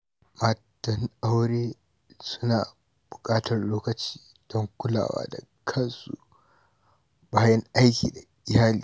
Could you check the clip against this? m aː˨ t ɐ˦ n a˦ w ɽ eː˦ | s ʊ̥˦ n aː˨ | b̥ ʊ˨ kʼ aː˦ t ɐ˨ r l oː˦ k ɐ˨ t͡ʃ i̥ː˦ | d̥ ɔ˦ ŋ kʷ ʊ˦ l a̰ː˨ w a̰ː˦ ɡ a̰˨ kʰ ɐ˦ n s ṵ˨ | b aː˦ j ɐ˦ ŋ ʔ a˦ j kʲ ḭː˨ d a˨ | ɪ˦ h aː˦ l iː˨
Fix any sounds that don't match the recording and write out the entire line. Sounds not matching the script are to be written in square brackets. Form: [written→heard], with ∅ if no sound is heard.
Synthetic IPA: m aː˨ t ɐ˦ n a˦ w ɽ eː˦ | s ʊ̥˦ n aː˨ | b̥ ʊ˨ kʼ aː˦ t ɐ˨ r l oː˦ k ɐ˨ t͡ʃ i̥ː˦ | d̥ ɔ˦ ŋ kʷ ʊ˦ l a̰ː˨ w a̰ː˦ [ɡ→d] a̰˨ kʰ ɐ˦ n s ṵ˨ | b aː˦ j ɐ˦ ŋ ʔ a˦ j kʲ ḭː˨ d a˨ | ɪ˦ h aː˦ l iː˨